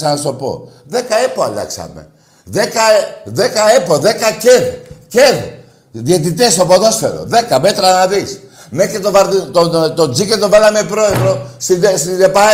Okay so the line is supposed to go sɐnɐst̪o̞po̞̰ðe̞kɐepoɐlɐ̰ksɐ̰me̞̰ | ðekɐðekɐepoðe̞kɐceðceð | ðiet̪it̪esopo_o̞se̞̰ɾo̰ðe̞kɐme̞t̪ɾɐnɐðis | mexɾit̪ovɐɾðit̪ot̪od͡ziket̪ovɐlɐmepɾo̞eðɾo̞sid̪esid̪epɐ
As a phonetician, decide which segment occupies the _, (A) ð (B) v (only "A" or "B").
A